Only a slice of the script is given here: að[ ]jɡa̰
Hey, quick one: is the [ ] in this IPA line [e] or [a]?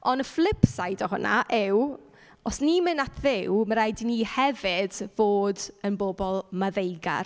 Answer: e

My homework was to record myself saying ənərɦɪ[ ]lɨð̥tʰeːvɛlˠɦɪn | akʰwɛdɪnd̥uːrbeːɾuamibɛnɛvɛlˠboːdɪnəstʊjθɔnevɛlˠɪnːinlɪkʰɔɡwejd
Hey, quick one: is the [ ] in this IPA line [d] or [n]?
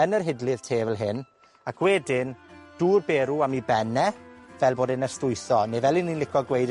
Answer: d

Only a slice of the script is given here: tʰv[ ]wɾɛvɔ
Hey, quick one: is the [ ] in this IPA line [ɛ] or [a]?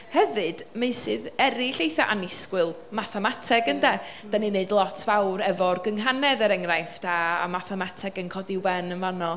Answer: a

